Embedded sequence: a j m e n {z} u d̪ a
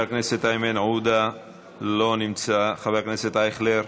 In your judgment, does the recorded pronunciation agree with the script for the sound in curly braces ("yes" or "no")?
no